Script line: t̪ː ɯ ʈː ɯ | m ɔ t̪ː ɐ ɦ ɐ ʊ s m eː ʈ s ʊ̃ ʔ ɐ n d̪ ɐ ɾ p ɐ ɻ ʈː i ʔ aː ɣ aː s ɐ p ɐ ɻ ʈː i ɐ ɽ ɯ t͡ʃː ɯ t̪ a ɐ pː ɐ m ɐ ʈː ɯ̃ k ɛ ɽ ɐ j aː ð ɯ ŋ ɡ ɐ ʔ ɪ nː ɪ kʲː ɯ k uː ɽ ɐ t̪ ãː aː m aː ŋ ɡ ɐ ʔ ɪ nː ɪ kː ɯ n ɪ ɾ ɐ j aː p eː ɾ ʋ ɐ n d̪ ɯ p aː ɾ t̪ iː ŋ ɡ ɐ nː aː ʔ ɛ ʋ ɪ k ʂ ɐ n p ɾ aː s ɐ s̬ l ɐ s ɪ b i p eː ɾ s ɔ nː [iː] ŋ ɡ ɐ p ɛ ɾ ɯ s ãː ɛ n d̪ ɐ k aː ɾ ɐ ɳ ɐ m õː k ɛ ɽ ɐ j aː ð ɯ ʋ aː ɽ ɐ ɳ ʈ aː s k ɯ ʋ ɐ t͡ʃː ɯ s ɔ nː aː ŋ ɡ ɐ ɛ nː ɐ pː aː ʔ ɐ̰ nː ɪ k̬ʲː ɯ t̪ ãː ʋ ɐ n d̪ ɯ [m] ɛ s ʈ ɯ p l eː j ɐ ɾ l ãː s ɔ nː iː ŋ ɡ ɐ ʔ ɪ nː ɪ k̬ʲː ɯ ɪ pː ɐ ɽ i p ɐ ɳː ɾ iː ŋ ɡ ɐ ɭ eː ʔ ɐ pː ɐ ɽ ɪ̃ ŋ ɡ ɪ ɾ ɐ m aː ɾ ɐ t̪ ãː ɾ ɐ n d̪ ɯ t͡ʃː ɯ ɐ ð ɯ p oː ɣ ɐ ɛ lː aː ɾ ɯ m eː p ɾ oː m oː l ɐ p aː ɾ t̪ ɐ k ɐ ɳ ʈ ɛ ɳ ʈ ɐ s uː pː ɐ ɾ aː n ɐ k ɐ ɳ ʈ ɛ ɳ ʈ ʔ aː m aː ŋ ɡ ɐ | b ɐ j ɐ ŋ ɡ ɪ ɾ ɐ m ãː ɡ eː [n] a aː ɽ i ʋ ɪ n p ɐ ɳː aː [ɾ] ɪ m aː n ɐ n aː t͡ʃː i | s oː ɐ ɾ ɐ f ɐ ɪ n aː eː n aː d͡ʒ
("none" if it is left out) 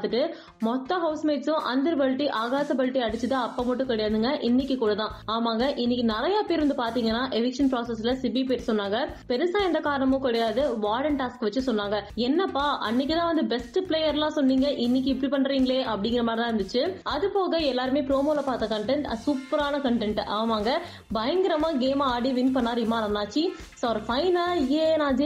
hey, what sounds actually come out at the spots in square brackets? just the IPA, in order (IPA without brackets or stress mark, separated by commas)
aː, b, m, ɾ